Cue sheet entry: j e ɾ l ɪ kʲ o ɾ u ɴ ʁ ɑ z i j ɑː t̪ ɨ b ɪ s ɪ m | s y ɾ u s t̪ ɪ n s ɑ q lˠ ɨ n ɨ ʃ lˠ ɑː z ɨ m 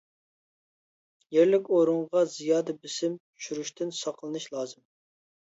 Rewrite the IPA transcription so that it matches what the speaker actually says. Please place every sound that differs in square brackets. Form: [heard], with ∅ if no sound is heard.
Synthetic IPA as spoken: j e ɾ l ɪ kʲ o ɾ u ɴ ʁ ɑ z i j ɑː [d̪] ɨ b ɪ s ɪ m | [ʃ] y ɾ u [ʃ] t̪ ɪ n s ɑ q lˠ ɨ n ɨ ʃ lˠ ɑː z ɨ m